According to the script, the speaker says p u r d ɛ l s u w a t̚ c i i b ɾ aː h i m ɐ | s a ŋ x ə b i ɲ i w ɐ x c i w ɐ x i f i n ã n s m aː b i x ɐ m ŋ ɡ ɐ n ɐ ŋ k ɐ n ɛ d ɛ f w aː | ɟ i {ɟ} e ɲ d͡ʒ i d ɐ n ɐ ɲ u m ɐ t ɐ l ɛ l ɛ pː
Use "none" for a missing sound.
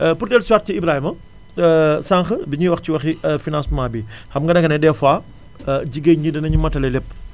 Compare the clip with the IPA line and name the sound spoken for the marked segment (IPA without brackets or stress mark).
ɡ